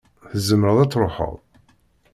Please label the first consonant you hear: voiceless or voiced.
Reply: voiceless